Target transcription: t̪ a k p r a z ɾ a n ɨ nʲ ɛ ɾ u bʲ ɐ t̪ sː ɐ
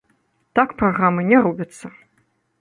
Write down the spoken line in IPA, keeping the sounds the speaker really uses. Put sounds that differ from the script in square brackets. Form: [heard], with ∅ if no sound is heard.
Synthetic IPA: t̪ a k p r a [ɣ] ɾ a [m] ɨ nʲ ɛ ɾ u bʲ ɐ t̪ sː ɐ